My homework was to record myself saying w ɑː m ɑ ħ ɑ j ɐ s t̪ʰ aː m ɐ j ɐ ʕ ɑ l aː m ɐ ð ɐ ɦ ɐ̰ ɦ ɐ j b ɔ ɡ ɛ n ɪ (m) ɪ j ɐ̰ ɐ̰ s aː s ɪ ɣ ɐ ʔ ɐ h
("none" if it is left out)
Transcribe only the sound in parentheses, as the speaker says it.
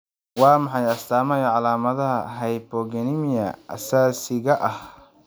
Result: m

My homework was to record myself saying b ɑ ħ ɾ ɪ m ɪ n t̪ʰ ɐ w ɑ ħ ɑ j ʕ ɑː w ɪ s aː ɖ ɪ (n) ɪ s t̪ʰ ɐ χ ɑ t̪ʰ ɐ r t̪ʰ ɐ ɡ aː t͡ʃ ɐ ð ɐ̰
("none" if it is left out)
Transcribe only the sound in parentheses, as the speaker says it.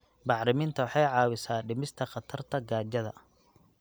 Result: m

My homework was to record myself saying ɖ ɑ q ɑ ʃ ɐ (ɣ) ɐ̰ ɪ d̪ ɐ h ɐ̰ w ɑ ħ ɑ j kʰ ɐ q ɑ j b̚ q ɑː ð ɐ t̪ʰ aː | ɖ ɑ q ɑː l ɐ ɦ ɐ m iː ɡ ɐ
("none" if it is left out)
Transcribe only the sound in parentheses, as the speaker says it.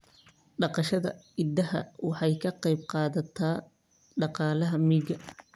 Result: ð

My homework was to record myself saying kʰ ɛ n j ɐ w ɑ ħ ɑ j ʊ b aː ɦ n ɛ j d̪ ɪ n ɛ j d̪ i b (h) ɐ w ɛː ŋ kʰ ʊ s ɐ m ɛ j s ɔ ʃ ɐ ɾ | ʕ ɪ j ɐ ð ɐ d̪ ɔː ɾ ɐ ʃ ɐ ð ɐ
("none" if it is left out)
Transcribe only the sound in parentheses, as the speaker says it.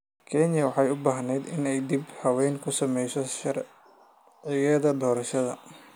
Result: h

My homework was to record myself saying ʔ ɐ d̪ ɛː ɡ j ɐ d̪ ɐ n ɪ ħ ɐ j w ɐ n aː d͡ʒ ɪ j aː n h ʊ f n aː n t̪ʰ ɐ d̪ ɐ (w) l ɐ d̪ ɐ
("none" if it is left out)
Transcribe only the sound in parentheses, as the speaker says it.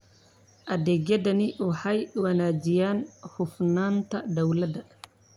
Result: w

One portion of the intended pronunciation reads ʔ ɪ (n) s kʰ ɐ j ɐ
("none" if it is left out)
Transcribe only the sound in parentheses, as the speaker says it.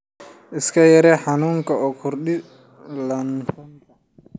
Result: none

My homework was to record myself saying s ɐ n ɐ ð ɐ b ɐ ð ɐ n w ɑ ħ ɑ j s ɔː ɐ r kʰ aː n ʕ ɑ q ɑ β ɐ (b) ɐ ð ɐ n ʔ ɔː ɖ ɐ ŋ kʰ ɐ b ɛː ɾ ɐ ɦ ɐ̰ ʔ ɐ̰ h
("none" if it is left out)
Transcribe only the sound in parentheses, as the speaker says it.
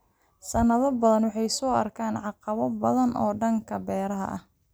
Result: b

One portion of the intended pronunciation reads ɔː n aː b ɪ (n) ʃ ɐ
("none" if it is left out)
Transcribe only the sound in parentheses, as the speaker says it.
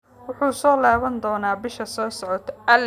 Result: none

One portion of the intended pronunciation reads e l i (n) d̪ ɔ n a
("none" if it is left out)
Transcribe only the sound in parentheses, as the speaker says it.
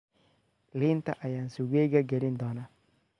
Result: n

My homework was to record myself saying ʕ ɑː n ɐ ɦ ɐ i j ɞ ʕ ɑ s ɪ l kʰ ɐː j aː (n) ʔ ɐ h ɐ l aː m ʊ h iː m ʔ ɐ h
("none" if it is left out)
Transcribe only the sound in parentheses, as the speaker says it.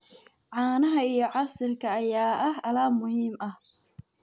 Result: none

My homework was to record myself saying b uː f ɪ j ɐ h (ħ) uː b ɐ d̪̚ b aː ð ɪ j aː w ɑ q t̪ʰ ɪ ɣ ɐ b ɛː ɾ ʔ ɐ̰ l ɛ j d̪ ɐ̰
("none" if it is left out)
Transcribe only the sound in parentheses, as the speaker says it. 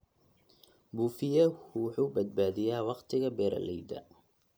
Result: ħ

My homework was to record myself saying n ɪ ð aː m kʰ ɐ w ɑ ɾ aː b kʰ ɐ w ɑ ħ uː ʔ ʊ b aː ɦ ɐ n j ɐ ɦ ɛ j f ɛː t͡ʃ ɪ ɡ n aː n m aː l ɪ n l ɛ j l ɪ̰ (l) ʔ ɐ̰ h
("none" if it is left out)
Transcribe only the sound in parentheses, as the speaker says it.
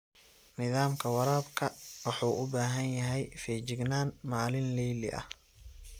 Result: none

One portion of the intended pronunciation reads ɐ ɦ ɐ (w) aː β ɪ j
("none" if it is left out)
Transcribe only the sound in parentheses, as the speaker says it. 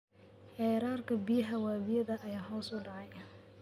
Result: w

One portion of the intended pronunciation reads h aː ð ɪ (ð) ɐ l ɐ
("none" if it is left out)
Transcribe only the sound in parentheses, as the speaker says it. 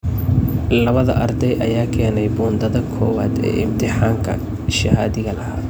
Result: ɣ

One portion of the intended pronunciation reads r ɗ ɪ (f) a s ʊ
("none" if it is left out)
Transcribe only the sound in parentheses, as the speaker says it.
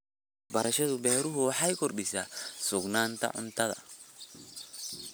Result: s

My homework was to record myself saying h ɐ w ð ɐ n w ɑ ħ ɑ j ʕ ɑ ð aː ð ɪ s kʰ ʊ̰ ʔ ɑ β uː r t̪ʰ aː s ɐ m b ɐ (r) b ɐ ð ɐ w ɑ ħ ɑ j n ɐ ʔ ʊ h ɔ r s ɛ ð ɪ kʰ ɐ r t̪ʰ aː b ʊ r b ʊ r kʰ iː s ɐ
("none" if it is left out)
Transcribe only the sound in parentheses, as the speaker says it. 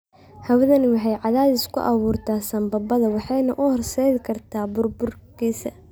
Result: none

